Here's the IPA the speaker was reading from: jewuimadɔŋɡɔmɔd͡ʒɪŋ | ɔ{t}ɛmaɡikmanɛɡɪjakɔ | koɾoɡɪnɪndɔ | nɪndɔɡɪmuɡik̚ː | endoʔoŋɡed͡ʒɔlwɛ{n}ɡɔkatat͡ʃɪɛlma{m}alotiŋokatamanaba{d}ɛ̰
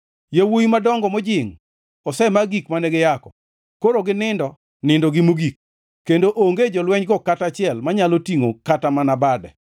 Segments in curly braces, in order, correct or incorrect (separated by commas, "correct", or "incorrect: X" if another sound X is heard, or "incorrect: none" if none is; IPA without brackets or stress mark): incorrect: s, incorrect: ɲ, incorrect: ɲ, correct